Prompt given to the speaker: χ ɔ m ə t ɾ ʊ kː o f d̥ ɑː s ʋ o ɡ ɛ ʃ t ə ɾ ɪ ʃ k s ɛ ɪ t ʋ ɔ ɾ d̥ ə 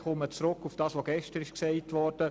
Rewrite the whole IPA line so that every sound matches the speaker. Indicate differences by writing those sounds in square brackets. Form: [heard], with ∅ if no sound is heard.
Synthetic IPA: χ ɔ m ə [t͡s] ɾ ʊ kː [u] f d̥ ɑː s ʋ o ɡ ɛ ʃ t ə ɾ ɪ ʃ k s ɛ ɪ t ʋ ɔ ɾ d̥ ə